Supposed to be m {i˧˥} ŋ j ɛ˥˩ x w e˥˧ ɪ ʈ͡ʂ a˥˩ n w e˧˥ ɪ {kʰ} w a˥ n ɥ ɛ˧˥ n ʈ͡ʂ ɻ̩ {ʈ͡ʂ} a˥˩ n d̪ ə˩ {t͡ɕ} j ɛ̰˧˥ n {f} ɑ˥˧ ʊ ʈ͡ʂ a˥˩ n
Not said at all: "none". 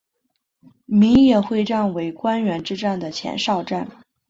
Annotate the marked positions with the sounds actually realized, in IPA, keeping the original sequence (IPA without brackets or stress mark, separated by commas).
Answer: i˧˥, k, ʈ͡ʂ, t͡ɕʰ, ʂ